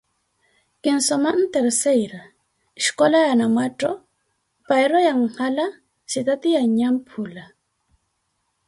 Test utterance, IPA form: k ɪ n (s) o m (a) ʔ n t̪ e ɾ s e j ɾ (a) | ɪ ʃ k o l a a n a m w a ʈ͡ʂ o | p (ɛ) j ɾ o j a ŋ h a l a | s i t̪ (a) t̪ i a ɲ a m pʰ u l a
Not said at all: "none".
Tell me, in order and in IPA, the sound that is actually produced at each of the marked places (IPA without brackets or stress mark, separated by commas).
s, a, a, a, a